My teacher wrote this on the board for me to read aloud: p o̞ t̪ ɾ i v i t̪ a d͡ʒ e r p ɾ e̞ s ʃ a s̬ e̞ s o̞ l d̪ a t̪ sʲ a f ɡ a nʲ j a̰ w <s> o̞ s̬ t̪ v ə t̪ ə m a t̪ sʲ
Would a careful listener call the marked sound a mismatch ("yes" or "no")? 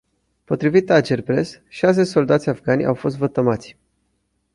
yes